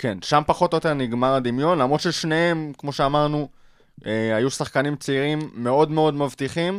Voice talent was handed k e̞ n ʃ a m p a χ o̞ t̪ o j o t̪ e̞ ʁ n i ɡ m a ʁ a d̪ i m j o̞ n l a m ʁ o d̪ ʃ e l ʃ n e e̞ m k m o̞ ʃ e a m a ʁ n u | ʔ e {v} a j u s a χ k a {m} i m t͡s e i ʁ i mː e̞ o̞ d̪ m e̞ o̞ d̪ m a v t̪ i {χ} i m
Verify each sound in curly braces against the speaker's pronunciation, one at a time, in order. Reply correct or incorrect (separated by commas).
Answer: incorrect, incorrect, correct